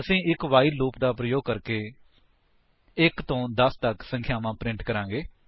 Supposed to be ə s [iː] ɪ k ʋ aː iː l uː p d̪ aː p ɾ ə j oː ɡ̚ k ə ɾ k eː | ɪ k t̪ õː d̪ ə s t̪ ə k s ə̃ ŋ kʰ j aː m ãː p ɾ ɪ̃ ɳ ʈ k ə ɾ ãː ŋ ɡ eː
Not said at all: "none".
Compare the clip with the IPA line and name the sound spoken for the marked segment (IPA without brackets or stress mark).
ĩː